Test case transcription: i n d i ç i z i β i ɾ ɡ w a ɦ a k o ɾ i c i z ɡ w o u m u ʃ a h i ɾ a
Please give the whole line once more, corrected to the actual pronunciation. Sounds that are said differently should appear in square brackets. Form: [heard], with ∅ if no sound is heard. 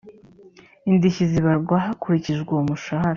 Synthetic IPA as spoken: i n d i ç i z i β [a] ɾ ɡ w a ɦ a k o ɾ i c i [ʒ] ɡ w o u m u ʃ a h [a] ɾ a